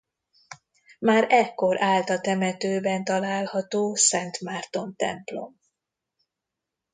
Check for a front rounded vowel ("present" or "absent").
present